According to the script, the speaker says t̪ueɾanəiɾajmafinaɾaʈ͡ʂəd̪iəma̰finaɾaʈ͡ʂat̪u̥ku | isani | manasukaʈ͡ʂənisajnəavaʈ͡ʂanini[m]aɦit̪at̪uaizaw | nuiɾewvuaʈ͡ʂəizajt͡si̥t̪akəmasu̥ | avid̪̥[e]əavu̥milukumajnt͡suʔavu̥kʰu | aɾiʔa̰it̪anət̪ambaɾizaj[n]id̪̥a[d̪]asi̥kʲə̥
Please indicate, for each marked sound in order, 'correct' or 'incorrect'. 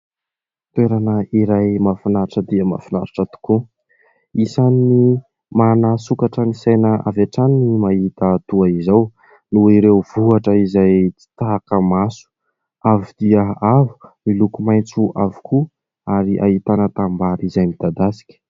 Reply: correct, incorrect: i, incorrect: m, correct

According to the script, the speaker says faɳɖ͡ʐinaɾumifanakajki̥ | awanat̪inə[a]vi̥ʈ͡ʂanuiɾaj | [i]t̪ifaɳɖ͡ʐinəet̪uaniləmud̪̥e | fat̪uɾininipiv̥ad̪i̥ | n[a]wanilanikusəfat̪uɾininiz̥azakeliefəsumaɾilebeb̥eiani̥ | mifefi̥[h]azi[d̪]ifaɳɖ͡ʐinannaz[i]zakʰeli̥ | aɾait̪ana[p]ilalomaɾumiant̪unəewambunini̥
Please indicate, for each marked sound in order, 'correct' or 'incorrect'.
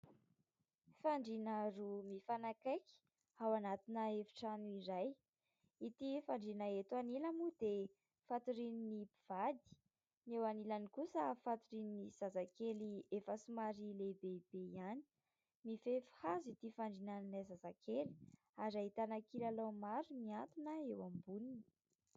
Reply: incorrect: e, correct, incorrect: e, correct, incorrect: t̪, incorrect: a, incorrect: k

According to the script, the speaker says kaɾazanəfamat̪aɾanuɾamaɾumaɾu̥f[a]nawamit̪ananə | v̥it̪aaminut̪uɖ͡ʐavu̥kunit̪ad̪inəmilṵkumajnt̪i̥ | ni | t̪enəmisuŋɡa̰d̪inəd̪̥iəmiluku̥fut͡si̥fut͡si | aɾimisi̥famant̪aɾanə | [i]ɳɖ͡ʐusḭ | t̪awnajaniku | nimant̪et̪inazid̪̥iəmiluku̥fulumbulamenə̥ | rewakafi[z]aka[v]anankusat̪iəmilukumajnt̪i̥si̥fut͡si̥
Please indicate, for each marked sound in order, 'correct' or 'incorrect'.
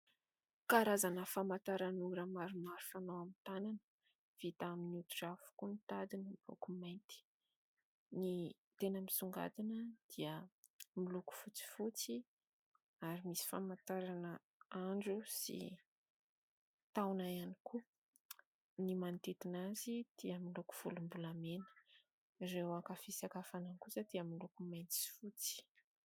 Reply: correct, incorrect: a, incorrect: s, incorrect: f

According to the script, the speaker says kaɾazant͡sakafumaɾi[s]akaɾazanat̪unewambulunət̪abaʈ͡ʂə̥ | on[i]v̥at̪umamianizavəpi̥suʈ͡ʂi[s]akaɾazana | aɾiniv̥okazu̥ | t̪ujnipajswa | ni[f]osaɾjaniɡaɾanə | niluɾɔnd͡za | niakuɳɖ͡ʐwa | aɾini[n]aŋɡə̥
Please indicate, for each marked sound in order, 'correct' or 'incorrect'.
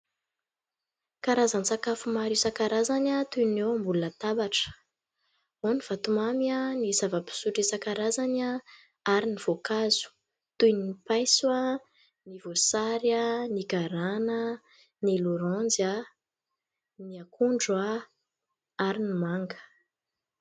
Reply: correct, correct, correct, incorrect: v, incorrect: m

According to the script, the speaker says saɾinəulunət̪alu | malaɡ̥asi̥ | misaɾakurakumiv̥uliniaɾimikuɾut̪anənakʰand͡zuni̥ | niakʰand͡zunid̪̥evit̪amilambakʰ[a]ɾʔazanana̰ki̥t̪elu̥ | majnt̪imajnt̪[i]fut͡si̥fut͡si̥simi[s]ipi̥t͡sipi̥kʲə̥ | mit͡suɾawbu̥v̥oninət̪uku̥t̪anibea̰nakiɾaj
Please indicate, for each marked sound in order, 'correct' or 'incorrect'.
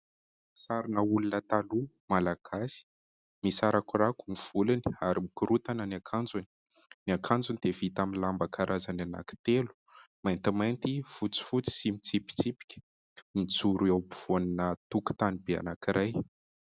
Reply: correct, correct, incorrect: t͡s

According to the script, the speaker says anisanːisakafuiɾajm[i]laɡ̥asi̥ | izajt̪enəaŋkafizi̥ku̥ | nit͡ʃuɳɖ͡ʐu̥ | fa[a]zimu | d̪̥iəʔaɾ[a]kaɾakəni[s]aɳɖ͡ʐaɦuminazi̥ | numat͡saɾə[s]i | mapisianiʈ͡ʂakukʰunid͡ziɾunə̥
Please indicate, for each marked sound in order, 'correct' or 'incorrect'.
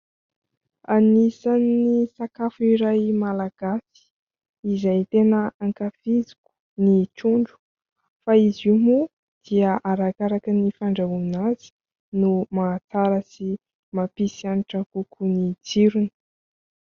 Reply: incorrect: a, incorrect: i, correct, incorrect: f, correct

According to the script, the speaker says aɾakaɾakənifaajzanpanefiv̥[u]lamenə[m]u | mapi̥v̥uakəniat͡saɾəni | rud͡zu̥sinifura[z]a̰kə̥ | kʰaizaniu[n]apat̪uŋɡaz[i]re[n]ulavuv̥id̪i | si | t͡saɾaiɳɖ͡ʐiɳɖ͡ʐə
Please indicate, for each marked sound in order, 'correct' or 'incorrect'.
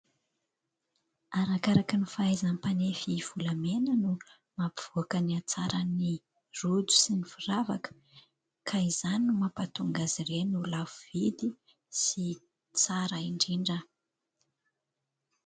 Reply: correct, incorrect: n, incorrect: v, incorrect: m, correct, correct

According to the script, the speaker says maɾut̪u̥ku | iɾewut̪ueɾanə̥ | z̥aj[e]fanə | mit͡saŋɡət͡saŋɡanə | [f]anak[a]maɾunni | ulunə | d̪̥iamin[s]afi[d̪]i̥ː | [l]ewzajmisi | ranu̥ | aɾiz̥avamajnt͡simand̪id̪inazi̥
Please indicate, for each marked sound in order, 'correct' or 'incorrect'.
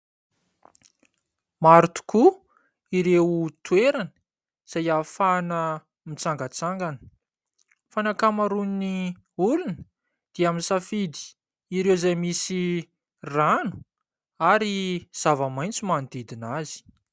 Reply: incorrect: a, correct, correct, correct, correct, incorrect: ɾ

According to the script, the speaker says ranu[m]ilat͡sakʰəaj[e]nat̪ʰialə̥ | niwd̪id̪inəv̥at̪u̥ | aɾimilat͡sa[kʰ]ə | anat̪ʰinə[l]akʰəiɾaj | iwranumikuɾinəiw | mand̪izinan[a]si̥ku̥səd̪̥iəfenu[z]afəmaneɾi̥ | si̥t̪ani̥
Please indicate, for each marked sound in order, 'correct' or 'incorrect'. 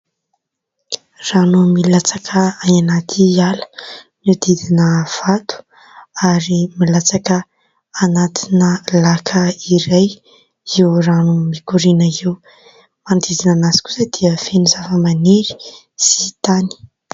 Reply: correct, incorrect: a, incorrect: k, correct, correct, correct

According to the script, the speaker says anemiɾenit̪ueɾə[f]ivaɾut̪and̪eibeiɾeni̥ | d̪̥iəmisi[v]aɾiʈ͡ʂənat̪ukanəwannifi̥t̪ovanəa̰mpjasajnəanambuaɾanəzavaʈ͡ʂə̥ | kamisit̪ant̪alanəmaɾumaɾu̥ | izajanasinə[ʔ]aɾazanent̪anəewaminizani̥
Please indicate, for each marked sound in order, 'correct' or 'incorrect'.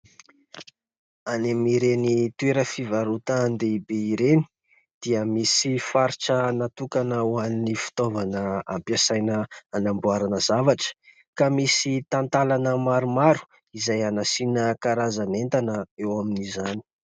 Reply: correct, incorrect: f, incorrect: k

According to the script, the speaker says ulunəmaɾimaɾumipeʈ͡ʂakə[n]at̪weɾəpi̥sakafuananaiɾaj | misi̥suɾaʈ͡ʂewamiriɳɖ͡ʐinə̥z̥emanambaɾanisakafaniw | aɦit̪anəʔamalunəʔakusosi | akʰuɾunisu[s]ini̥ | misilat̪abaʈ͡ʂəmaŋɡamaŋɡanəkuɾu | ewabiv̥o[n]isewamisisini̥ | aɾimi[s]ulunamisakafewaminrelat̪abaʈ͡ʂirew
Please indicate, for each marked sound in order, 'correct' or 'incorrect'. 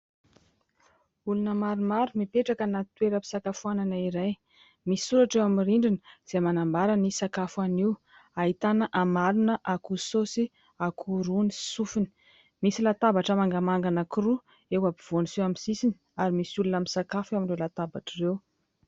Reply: correct, incorrect: f, correct, correct

